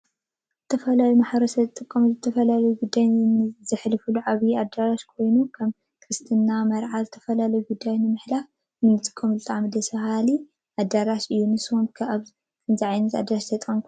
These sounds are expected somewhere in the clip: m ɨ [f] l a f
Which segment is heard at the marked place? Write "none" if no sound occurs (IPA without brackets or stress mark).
ħ